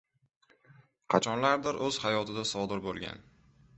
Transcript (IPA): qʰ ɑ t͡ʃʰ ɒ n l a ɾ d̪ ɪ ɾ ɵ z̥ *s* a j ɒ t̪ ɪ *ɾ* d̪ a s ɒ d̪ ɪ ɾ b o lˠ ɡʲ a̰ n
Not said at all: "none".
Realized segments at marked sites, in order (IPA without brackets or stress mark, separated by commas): h, none